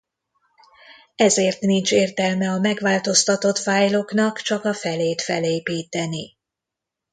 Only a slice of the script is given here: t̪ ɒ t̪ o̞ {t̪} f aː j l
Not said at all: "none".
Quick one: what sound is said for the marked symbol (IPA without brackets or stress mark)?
t̪